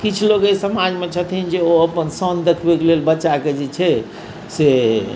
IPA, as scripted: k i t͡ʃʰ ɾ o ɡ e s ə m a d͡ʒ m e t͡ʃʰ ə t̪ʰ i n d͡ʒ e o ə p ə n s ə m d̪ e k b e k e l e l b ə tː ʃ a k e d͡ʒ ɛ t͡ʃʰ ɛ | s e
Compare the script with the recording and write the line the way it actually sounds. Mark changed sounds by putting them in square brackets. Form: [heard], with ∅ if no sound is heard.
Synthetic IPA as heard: k i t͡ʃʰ [l] o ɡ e s ə m a d͡ʒ m e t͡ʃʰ ə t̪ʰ i n d͡ʒ e o ə p ə n s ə [n] d̪ e [kʰ] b e k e l e l b ə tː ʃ a k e d͡ʒ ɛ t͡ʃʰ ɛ | s e